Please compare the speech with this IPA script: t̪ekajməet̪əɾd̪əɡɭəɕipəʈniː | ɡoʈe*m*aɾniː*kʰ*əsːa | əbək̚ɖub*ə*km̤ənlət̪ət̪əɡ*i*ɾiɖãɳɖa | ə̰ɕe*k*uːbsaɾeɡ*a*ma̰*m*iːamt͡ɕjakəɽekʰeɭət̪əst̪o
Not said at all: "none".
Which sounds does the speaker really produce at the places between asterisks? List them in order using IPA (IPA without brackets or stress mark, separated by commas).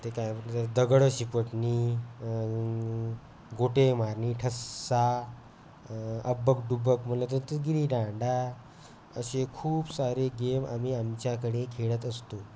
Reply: m, ʈʰ, ə, i, kʰ, e, m